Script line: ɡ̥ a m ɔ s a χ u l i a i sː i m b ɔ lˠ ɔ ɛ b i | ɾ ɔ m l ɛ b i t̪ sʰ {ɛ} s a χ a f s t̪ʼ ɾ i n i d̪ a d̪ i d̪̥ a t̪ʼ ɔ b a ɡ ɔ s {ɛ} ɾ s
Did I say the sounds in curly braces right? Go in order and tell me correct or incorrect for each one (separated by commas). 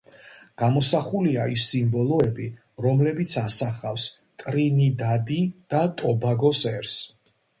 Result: incorrect, correct